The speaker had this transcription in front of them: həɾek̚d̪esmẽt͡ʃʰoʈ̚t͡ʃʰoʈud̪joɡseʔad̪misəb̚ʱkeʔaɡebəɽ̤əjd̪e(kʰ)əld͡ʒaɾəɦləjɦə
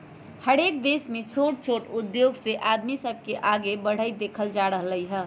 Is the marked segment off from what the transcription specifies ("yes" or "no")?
no